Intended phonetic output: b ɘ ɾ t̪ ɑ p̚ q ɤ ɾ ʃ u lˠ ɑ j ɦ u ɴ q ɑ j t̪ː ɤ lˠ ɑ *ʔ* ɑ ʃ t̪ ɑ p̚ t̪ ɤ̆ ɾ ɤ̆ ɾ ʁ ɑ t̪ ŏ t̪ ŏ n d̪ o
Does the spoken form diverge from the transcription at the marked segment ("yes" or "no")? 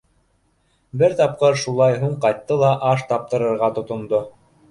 no